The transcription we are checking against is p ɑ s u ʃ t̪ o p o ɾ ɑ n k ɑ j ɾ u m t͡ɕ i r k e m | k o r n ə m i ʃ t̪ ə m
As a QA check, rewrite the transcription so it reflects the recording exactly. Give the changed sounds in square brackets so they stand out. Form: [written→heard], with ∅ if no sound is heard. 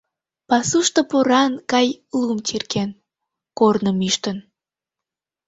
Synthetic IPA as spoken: p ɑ s u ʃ t̪ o p o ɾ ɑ n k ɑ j [ɾ→l] u m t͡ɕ i r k e [m→n] | k o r n ə m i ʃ t̪ ə [m→n]